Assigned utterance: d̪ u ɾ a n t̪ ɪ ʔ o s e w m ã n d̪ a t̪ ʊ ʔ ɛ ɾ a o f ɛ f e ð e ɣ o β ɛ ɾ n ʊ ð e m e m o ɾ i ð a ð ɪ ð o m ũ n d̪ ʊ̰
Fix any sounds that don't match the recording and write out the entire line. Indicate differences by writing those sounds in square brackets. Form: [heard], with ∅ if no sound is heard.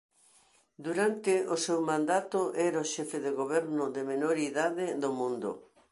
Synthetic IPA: d̪ u ɾ a n t̪ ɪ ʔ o s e w m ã n d̪ a t̪ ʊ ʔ ɛ ɾ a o [ʃ] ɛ f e ð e ɣ o β ɛ ɾ n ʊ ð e m e [n] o ɾ i ð a ð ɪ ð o m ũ n d̪ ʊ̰